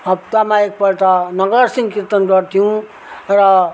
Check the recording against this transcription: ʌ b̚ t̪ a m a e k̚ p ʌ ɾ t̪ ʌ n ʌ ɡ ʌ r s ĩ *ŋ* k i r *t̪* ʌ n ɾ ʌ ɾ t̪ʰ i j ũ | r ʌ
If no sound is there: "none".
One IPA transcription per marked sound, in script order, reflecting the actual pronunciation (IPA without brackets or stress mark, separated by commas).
ŋ, t̪